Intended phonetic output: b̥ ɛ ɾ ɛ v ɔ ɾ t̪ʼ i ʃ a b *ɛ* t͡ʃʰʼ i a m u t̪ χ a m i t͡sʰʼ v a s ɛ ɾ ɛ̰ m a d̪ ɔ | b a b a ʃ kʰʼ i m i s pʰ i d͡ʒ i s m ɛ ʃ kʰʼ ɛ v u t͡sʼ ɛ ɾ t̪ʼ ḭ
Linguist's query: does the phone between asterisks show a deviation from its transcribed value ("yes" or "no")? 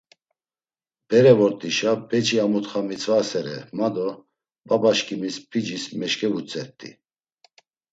no